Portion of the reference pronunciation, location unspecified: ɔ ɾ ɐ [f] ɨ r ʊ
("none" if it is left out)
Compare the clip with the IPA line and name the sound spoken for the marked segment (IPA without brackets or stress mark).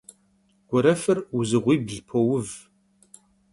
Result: f